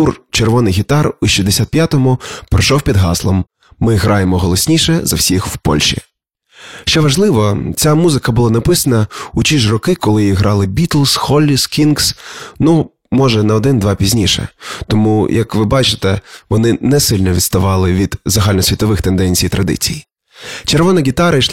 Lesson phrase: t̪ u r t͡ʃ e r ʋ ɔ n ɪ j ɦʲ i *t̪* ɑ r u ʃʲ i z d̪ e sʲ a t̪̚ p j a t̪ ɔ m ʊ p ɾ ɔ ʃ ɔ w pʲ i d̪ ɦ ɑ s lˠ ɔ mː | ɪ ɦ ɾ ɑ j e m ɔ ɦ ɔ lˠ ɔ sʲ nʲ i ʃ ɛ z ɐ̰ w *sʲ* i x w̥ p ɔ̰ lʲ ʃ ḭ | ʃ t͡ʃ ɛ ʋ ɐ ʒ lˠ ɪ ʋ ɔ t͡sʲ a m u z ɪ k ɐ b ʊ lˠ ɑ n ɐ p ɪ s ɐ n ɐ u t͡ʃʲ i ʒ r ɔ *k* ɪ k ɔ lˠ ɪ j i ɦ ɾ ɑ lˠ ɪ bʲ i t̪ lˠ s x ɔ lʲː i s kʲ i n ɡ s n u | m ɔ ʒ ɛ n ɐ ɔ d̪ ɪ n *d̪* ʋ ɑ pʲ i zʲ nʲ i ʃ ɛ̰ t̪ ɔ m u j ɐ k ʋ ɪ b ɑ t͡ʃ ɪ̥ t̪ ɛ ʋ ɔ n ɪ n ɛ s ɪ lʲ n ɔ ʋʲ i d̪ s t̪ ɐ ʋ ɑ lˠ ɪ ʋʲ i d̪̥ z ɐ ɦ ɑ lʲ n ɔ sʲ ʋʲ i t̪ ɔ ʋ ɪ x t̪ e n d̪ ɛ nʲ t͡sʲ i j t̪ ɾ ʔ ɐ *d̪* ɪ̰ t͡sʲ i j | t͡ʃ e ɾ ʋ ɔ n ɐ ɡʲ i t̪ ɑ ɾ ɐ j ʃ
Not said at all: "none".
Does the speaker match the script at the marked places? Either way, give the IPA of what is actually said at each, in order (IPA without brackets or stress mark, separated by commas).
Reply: t̪, sʲ, k, d̪, d̪